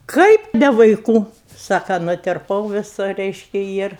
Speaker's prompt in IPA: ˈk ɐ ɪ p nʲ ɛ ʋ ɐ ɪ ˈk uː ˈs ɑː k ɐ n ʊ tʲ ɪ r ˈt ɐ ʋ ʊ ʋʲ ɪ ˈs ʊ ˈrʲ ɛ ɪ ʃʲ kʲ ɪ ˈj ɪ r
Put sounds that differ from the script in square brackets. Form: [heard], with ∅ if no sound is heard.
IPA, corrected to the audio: ˈk ɐ ɪ p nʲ ɛ ʋ ɐ ɪ ˈk uː ˈs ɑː k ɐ n ʊ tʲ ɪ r [ˈp] ɐ [∅] ʊ ʋʲ ɪ ˈs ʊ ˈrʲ ɛ ɪ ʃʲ kʲ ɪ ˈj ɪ r